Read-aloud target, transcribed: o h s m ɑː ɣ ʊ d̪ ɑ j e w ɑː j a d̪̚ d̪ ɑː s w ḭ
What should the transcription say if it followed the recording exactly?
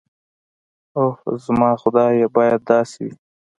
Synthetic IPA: o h z m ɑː x ʊ d̪ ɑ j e b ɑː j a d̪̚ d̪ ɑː s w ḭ